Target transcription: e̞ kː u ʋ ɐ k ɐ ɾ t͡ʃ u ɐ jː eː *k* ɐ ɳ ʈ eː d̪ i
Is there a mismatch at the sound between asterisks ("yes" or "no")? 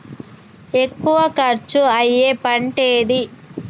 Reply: yes